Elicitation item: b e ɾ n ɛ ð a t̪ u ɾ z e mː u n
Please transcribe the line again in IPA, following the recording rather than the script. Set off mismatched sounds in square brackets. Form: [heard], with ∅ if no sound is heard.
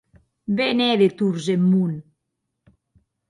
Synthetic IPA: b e [∅] n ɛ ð [e] t̪ u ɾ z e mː u n